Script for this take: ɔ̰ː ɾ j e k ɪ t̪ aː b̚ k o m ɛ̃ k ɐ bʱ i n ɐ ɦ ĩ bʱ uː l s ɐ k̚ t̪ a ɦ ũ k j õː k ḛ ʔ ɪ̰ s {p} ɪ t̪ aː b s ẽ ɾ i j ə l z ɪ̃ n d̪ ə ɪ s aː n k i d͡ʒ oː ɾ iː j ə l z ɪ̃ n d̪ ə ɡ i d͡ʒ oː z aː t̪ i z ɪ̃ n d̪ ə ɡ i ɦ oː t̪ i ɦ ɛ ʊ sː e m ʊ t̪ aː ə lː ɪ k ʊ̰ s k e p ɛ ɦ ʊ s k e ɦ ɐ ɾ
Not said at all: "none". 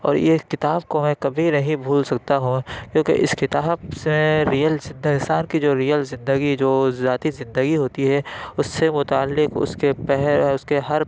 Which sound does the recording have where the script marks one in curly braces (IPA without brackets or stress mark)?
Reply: k